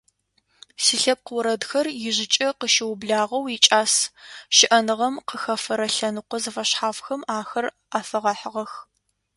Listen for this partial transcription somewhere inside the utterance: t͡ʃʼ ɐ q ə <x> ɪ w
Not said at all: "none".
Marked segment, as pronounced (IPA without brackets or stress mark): ʃ